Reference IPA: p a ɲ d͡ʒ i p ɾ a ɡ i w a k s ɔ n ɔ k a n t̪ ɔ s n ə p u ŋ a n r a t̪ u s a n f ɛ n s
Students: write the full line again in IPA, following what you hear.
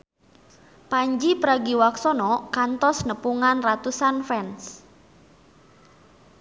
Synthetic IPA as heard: p a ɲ d͡ʒ i p ɾ a ɡ i w a k s ɔ n ɔ k a n t̪ ɔ s n ə p u ŋ a n r a t̪ u s a n f ɛ n s